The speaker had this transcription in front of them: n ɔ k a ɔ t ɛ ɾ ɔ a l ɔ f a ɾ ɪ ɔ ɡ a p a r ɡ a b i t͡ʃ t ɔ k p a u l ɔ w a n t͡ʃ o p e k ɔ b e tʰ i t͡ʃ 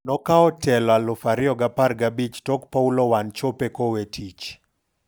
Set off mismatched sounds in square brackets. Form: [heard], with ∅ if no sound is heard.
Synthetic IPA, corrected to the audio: n ɔ k a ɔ t ɛ [l] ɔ a l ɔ f a ɾ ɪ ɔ ɡ a p a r ɡ a b i t͡ʃ t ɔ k p a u l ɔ w a n t͡ʃ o p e k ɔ [w] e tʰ i t͡ʃ